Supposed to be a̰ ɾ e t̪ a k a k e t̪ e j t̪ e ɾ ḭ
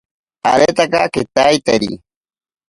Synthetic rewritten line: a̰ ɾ e t̪ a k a k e t̪ a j t̪ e ɾ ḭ